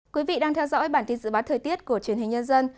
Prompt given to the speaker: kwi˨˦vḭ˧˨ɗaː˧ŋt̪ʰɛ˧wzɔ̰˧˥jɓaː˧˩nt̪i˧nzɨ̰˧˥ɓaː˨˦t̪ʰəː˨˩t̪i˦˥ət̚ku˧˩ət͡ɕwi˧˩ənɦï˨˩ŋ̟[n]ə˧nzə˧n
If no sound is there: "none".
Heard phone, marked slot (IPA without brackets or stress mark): ɲ